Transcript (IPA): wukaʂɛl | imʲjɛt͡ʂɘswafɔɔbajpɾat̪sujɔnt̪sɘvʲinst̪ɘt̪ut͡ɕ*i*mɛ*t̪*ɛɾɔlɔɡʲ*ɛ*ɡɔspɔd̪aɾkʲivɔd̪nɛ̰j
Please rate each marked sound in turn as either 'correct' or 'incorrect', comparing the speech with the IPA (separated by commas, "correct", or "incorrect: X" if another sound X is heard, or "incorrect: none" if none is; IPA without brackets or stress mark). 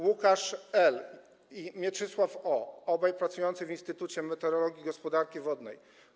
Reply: incorrect: ɛ, correct, incorrect: i